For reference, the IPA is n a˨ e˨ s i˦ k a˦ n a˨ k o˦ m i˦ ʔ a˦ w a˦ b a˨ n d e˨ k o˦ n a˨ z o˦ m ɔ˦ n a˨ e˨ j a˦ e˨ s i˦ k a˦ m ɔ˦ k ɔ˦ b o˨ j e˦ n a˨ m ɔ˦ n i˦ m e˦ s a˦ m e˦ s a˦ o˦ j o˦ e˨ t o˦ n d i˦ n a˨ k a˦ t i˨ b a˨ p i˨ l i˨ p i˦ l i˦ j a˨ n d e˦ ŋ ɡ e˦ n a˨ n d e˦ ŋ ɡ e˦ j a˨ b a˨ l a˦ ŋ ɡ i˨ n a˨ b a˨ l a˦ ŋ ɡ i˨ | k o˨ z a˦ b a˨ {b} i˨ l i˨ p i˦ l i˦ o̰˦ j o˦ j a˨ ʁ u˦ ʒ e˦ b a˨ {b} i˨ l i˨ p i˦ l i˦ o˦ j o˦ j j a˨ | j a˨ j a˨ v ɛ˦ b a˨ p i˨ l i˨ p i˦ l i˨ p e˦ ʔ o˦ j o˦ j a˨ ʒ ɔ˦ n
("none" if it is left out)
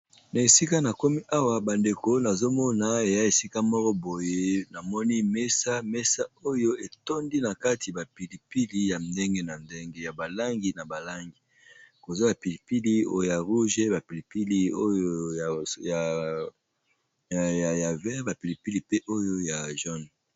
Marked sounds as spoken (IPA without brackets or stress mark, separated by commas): p, p